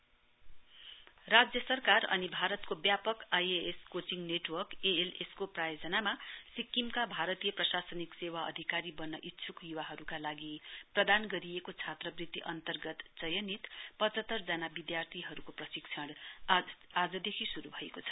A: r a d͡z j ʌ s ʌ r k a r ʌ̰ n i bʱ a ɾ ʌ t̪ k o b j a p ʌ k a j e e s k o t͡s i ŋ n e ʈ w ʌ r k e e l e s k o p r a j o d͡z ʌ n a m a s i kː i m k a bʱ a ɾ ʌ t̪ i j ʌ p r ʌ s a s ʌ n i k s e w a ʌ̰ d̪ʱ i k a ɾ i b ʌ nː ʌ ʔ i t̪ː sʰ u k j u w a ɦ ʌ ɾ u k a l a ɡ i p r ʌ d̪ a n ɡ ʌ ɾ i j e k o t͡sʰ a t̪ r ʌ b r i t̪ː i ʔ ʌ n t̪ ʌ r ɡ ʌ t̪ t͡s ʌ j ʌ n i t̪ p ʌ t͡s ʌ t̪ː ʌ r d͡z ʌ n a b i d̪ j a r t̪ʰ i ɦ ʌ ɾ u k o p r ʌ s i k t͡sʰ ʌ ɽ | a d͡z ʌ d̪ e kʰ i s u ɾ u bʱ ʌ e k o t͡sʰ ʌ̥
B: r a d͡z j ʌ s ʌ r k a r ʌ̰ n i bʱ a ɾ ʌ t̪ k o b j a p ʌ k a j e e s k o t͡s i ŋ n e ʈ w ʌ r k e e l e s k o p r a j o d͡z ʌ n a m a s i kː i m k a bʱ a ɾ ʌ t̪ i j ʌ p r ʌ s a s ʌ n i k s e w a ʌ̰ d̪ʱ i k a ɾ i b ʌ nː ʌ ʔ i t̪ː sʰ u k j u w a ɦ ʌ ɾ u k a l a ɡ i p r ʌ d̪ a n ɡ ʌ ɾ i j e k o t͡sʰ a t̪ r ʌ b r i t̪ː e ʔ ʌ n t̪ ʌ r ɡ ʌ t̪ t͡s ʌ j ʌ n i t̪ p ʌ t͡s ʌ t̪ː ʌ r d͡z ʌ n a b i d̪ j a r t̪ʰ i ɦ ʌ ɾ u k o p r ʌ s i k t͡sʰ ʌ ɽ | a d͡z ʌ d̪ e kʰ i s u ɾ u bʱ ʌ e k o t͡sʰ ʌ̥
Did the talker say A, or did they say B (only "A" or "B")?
A